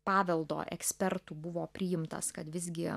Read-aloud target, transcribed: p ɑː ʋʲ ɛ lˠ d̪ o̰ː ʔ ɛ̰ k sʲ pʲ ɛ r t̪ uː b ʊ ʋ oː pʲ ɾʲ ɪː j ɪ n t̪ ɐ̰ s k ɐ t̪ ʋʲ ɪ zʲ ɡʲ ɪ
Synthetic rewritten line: p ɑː ʋʲ ɛ lˠ d̪ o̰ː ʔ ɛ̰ k sʲ pʲ ɛ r t̪ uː b ʊ ʋ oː pʲ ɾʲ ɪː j ɪ m t̪ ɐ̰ s k ɐ t̪ ʋʲ ɪ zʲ ɡʲ ɪ

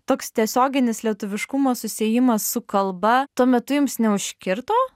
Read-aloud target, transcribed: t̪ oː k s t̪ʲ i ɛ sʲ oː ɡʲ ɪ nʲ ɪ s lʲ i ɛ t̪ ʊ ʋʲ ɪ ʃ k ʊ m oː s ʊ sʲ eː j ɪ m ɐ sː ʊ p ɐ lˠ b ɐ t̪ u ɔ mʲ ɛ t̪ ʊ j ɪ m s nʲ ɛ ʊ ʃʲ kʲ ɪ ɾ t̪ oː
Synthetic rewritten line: t̪ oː k s t̪ʲ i ɛ sʲ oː ɡʲ ɪ nʲ ɪ s lʲ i ɛ t̪ ʊ ʋʲ ɪ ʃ k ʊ m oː s ʊ sʲ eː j ɪ m ɐ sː ʊ k ɐ lˠ b ɐ t̪ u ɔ mʲ ɛ t̪ ʊ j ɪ m s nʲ ɛ ʊ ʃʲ kʲ ɪ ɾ t̪ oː

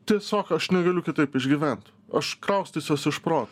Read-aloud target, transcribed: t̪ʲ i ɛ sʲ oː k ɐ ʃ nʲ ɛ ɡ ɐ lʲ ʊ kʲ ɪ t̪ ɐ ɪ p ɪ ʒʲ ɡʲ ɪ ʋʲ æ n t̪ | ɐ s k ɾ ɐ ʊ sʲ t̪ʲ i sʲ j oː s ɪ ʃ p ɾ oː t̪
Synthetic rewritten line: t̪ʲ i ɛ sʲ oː k ɐ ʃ nʲ ɛ ɡ ɐ lʲ ʊ kʲ ɪ t̪ ɐ ɪ p ɪ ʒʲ ɡʲ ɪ ʋʲ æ n t̪ | ɐ ʃ k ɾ ɐ ʊ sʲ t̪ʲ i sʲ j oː s ɪ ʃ p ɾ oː t̪

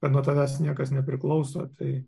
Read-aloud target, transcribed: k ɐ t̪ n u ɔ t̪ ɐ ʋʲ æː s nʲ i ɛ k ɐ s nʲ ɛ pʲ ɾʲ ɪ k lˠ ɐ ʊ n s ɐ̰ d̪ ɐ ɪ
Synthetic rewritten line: k ɐ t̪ n u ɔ t̪ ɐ ʋʲ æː s nʲ i ɛ k ɐ s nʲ ɛ pʲ ɾʲ ɪ k lˠ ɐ ʊ s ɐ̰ t̪ ɐ ɪ

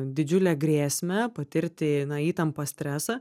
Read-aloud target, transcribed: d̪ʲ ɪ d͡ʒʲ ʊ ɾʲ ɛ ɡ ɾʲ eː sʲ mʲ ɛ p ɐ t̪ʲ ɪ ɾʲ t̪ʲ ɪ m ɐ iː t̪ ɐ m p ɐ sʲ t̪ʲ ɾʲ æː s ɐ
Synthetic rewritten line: d̪ʲ ɪ d͡ʒʲ ʊ lʲ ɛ ɡ ɾʲ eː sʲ mʲ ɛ p ɐ t̪ʲ ɪ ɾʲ t̪ʲ ɪ n ɐ iː t̪ ɐ m p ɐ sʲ t̪ʲ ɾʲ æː s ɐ

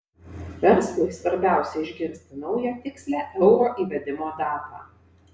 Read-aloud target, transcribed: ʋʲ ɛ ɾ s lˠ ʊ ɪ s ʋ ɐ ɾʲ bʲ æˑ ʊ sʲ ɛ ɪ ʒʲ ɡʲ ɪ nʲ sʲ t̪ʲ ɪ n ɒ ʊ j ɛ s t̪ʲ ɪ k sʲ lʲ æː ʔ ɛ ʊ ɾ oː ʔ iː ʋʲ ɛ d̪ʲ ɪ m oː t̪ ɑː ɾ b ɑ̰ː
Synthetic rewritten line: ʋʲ ɛ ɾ s lˠ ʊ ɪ s ʋ ɐ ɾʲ bʲ æˑ ʊ sʲ ɛ ɪ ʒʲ ɡʲ ɪ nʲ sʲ t̪ʲ ɪ n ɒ ʊ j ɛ t̪ʲ ɪ k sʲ lʲ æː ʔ ɛ ʊ ɾ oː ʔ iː ʋʲ ɛ d̪ʲ ɪ m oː d̪ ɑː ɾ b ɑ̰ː

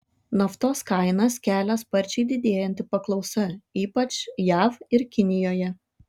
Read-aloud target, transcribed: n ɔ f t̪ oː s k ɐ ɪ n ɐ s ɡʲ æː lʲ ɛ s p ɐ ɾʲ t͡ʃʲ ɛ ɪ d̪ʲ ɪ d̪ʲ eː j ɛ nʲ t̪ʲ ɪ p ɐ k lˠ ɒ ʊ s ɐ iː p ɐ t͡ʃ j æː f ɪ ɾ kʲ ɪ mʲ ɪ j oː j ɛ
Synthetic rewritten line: n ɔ f t̪ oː s k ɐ ɪ n ɐ s kʲ æː lʲ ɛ s p ɐ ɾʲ t͡ʃʲ ɛ ɪ d̪ʲ ɪ d̪ʲ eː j ɛ nʲ t̪ʲ ɪ p ɐ k lˠ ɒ ʊ s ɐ iː p ɐ t͡ʃ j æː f ɪ ɾ kʲ ɪ nʲ ɪ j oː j ɛ

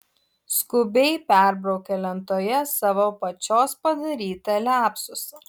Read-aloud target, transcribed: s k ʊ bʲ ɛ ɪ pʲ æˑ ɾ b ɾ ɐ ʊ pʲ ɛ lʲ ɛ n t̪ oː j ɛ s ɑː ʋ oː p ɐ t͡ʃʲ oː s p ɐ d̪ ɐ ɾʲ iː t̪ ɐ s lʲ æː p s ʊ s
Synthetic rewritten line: s k ʊ bʲ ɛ ɪ pʲ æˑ ɾ b ɾ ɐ ʊ kʲ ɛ lʲ ɛ n t̪ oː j ɛ s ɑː ʋ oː p ɐ t͡ʃʲ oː s p ɐ d̪ ɐ ɾʲ iː t̪ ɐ lʲ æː p s ʊ s

